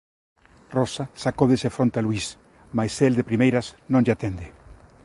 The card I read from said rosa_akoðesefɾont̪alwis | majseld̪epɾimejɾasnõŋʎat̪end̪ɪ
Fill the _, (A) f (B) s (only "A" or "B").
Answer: B